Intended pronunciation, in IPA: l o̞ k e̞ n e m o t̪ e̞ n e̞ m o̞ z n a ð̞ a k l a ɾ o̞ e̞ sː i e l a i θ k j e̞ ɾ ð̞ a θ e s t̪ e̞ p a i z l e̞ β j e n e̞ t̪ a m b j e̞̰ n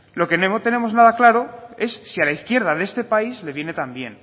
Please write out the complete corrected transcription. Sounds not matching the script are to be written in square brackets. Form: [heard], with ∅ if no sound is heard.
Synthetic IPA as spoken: l o̞ k e̞ n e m o t̪ e̞ n e̞ m o̞ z n a ð̞ a k l a ɾ o̞ e̞ sː i [a] l a i θ k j e̞ ɾ ð̞ a [ð] e s t̪ e̞ p a i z l e̞ β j e n e̞ t̪ a m b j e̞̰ n

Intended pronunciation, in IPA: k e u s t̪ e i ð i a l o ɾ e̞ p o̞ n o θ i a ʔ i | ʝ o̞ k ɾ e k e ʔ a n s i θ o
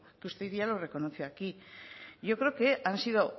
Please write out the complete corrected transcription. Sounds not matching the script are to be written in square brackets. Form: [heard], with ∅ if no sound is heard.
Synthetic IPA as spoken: k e u s t̪ e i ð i a l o [r] e̞ [k] o̞ n o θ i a [k] i | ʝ o̞ k ɾ e k e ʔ a n s i [ð] o

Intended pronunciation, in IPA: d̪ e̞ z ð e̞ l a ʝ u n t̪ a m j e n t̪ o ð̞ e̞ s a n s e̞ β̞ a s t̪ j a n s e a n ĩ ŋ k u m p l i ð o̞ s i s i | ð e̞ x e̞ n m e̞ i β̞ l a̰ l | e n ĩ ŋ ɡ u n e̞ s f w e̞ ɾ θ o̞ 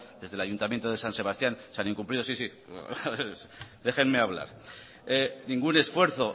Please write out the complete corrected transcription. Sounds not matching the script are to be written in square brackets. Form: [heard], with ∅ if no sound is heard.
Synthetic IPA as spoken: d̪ e̞ z ð e̞ l a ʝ u n t̪ a m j e n t̪ o ð̞ e̞ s a n s e̞ β̞ a s t̪ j a n s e a n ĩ ŋ k u m p l i ð o̞ s i s i | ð e̞ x e̞ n m e̞ [a] β̞ l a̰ [ɾ] | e n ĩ ŋ ɡ u n e̞ s f w e̞ ɾ θ o̞

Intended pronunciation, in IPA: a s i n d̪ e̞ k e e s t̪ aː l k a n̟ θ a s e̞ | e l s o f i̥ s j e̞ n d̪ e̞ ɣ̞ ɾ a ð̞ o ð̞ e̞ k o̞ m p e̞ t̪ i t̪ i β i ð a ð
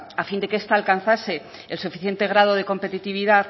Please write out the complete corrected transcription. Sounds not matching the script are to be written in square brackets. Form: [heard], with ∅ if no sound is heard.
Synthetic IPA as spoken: a [f] i n d̪ e̞ k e e s t̪ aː l k a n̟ θ a s e̞ | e l s [u] f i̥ [θ] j e̞ n [t̪] e̞ ɣ̞ ɾ a ð̞ o ð̞ e̞ k o̞ m p e̞ t̪ i t̪ i β i ð a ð

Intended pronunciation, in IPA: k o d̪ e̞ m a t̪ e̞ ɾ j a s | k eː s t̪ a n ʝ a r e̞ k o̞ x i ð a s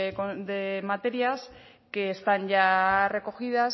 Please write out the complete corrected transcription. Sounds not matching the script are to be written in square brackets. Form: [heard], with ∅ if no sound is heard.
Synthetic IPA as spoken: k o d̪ e̞ m a t̪ e̞ ɾ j a s | k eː s t̪ a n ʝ a r e̞ k o̞ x i ð a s

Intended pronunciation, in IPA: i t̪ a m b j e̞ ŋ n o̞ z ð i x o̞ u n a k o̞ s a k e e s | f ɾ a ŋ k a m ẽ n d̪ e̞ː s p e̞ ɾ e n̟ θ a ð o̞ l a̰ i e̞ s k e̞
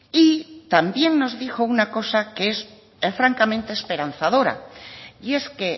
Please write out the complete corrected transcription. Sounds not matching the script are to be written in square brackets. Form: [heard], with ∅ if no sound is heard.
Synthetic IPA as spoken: i t̪ a m b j e̞ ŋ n o̞ z ð i x o̞ u n a k o̞ s a k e e s | f ɾ a ŋ k a m ẽ n [t̪] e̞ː s p e̞ ɾ [a] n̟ θ a ð o̞ [ɾ] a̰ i e̞ s k e̞

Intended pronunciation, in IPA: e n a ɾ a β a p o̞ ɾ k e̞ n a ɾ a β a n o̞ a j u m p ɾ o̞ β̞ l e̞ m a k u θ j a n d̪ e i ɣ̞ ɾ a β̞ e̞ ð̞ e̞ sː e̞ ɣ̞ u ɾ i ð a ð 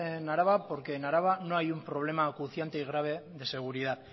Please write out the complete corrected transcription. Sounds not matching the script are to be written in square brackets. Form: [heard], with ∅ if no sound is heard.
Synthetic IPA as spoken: e n a ɾ a β a p o̞ ɾ k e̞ n a ɾ a β a n o̞ a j u m p ɾ o̞ β̞ l e̞ m a k u θ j a n [t̪] e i ɣ̞ ɾ a β̞ e̞ ð̞ e̞ [s] e̞ ɣ̞ u ɾ i ð a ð

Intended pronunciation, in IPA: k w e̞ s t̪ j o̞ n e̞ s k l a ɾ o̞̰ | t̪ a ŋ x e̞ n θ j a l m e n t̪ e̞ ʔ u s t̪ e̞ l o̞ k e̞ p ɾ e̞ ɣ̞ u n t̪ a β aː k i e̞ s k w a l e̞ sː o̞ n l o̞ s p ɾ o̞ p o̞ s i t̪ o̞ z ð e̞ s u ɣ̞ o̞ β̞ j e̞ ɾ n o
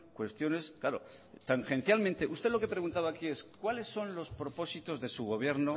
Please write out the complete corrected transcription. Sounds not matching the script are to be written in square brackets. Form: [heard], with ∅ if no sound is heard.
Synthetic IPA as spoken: k w e̞ s t̪ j o̞ n e̞ s k l a ɾ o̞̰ | t̪ a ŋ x e̞ n θ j a l m e n t̪ e̞ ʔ u s t̪ e̞ l o̞ k e̞ p ɾ e̞ ɣ̞ u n t̪ a β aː k i e̞ s k w a l e̞ sː o̞ n l o̞ s p ɾ o̞ p o̞ s i t̪ o̞ z ð e̞ s u ɣ̞ o̞ β̞ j e̞ ɾ n o

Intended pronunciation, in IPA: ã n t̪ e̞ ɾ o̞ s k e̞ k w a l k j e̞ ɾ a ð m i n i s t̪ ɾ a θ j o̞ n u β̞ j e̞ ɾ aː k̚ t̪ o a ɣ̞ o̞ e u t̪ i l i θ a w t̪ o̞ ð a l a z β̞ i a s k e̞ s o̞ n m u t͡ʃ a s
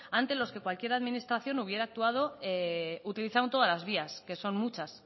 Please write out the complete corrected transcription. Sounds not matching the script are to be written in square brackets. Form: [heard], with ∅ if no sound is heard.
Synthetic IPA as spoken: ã n t̪ e̞ [l] o̞ s k e̞ k w a l k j e̞ ɾ a ð m i n i s t̪ ɾ a θ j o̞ n u β̞ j e̞ ɾ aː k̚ t̪ [u] a [ð̞] o̞ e u t̪ i l i θ a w t̪ o̞ ð a l a z β̞ i a s k e̞ s o̞ n m u t͡ʃ a s

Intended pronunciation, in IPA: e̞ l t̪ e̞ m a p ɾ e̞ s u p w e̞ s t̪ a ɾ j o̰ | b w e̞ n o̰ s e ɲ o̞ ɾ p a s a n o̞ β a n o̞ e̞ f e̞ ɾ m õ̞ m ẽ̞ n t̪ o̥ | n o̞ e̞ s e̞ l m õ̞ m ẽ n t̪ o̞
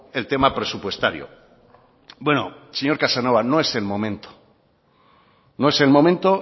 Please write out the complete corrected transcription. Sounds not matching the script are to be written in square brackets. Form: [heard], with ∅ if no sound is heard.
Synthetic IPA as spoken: e̞ l t̪ e̞ m a p ɾ e̞ s u p w e̞ s t̪ a ɾ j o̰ | b w e̞ n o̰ s e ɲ o̞ ɾ [k] a s a n o̞ β a n o̞ e̞ [s] e̞ [l] m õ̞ m ẽ̞ n t̪ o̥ | n o̞ e̞ s e̞ l m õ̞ m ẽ n t̪ o̞

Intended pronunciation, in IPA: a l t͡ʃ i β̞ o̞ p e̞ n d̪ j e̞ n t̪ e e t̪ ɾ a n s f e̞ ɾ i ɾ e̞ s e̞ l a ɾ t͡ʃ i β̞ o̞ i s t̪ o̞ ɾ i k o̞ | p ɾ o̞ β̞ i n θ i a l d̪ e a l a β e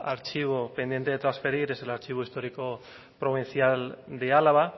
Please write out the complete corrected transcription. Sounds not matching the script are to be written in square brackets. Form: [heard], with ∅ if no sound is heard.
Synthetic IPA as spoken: a [ɾ] t͡ʃ i β̞ o̞ p e̞ n d̪ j e̞ n t̪ e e t̪ ɾ a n s f e̞ ɾ i ɾ e̞ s e̞ l a ɾ t͡ʃ i β̞ o̞ i s t̪ o̞ ɾ i k o̞ | p ɾ o̞ β̞ i n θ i a l d̪ e a l a β [a]

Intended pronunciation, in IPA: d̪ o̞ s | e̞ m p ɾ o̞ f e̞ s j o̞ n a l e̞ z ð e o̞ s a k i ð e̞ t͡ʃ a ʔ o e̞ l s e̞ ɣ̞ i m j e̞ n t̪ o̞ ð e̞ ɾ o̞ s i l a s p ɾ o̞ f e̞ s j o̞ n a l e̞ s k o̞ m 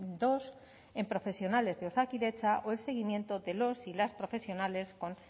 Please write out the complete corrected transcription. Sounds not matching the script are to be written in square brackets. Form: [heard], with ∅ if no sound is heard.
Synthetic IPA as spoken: d̪ o̞ s | e̞ m p ɾ o̞ f e̞ s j o̞ n a l e̞ z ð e o̞ s a k i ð e̞ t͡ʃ a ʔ o e̞ l s e̞ ɣ̞ i m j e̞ n t̪ o̞ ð e̞ [l] o̞ s i l a s p ɾ o̞ f e̞ s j o̞ n a l e̞ s k o̞ [n]

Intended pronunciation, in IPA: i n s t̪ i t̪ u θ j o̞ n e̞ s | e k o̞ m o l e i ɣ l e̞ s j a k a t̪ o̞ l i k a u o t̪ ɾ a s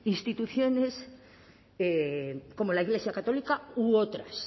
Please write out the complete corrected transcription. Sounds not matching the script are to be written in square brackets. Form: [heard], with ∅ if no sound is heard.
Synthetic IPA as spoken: i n s t̪ i t̪ u θ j o̞ n e̞ s | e k o̞ m o l [a] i ɣ l e̞ s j a k a t̪ o̞ l i k a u o t̪ ɾ a s

